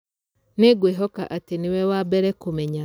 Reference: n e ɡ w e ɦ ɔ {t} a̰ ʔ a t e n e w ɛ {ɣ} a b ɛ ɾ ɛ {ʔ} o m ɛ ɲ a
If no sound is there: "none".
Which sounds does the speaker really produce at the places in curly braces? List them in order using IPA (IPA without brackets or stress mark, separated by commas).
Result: k, w, k